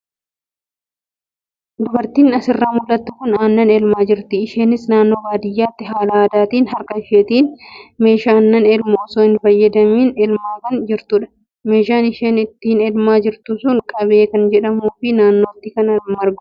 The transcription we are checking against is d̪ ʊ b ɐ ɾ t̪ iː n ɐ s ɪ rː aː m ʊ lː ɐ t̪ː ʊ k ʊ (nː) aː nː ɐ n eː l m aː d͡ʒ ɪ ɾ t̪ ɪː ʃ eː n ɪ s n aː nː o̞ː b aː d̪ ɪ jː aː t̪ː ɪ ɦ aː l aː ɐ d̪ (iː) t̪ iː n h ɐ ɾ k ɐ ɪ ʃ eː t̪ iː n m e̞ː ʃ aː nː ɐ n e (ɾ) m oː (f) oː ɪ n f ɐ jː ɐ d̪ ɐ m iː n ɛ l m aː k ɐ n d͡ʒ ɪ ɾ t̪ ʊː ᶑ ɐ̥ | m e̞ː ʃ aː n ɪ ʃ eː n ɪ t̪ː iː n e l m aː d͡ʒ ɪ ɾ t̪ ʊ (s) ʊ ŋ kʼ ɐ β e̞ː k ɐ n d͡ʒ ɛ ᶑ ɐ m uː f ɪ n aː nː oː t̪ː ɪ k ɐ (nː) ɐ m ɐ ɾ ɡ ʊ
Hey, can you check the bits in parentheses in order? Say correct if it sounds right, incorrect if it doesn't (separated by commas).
incorrect, incorrect, incorrect, incorrect, correct, incorrect